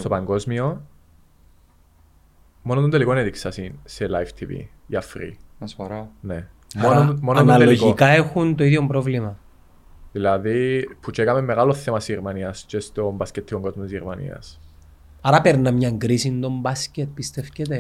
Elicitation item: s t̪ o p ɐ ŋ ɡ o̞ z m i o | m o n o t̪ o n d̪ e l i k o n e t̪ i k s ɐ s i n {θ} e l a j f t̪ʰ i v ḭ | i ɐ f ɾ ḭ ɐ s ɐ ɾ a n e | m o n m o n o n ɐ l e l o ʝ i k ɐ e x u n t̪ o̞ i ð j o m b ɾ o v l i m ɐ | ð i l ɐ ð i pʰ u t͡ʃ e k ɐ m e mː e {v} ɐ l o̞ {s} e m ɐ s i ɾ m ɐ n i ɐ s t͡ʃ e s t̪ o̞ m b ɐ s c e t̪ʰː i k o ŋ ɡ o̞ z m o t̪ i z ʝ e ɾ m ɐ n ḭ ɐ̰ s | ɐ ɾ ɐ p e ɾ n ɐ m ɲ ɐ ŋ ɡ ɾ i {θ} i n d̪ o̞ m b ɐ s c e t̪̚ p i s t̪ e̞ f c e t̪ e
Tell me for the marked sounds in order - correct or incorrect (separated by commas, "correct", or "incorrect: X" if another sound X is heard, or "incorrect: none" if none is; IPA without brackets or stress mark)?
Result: incorrect: s, incorrect: ɣ, incorrect: θ, incorrect: s